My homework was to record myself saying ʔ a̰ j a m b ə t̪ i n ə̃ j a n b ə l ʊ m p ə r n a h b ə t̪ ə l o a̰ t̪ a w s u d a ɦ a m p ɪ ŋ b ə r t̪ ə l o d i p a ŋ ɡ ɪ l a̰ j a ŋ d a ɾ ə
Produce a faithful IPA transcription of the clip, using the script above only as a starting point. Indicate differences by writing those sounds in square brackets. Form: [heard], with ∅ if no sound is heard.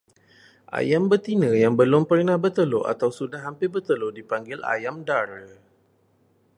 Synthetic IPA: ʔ a̰ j a m b ə t̪ i n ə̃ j a [ŋ] b ə l ʊ m p ə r n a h b ə t̪ ə l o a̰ t̪ a w s u d a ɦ a m p ɪ [∅] b ə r t̪ ə l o d i p a ŋ ɡ ɪ l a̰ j a [m] d a ɾ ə